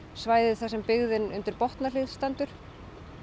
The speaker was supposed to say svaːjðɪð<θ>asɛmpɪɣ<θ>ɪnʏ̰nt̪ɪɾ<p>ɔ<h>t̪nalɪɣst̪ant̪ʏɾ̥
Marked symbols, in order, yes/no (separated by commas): yes, no, yes, yes